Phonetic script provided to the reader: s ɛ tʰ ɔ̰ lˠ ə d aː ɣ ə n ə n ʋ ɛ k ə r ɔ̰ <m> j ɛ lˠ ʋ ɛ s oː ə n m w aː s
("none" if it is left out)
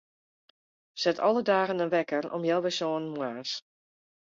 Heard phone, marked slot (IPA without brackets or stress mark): m